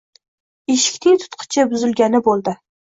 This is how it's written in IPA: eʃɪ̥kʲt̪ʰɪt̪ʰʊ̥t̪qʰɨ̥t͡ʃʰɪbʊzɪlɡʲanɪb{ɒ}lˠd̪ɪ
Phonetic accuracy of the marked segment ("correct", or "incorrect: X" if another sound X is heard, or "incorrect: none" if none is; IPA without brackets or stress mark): incorrect: o